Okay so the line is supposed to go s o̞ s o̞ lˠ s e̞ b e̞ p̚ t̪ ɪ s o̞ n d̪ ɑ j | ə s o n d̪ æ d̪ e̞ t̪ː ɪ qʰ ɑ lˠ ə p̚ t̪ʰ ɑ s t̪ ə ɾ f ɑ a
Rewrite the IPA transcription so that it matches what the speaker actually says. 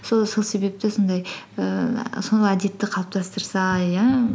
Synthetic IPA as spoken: s o̞ s o̞ lˠ s e̞ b e̞ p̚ t̪ ɪ s o̞ n d̪ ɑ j | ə s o n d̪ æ d̪ e̞ t̪ː ɪ qʰ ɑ lˠ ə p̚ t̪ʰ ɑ s t̪ ə ɾ s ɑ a